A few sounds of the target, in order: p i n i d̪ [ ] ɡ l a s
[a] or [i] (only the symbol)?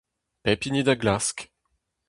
a